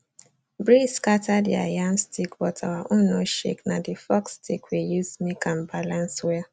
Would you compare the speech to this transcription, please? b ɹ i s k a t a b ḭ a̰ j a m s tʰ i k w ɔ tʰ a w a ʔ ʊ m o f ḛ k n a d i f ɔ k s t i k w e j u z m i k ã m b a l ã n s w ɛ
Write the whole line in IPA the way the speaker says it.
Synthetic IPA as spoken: b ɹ i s k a t a d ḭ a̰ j a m s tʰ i k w ɔ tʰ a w a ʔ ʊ n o ʃ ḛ k n a d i f ɔ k s t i k w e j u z m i k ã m b a l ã n s w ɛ